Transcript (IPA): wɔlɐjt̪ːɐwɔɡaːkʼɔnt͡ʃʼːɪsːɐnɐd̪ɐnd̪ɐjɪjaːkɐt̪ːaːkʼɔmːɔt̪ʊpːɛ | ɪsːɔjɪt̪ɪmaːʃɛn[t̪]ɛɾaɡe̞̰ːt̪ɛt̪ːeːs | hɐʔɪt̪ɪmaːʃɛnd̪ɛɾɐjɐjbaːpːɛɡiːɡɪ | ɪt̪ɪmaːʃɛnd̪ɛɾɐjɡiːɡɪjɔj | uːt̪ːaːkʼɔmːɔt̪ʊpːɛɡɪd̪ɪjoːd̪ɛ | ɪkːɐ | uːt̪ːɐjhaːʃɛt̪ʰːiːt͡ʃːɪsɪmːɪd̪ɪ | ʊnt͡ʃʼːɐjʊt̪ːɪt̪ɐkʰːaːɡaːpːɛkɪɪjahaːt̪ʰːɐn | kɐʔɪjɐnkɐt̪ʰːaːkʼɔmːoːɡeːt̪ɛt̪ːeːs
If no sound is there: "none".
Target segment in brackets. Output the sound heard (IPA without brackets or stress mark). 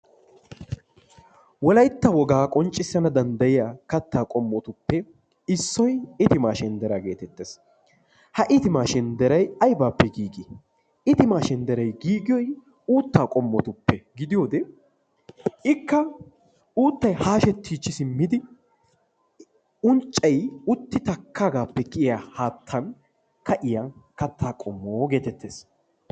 d̪